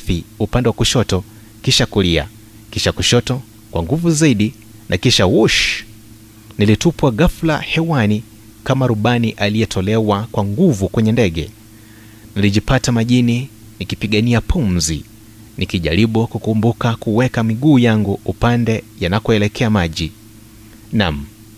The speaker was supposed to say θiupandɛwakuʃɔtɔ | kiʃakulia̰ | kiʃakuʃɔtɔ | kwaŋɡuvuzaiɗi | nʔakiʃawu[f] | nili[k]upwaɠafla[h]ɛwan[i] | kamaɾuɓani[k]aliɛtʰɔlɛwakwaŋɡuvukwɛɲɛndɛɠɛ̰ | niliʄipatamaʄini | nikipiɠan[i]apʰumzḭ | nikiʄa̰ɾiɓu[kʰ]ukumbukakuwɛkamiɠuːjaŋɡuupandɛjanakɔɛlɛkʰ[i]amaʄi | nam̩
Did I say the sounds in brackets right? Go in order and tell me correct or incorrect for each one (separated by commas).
incorrect, incorrect, correct, correct, incorrect, correct, incorrect, incorrect